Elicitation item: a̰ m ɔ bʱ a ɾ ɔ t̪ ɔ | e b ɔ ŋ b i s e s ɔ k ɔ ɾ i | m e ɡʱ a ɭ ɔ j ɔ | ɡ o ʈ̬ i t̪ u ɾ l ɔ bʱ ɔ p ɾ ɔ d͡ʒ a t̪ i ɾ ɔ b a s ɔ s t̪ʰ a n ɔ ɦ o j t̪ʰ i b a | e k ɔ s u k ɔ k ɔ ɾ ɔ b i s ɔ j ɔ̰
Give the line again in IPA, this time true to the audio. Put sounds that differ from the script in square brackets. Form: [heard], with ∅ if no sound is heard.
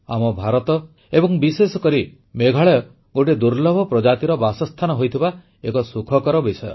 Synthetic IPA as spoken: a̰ m ɔ bʱ a ɾ ɔ t̪ ɔ | e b ɔ ŋ b i s e s ɔ k ɔ ɾ i | m e ɡʱ a ɭ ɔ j ɔ | ɡ o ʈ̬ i [d̪] u ɾ l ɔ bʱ ɔ p ɾ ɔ d͡ʒ a t̪ i ɾ ɔ b a s ɔ s t̪ʰ a n ɔ ɦ o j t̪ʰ i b a | e k ɔ s u [kʰ] ɔ k ɔ ɾ ɔ b i s ɔ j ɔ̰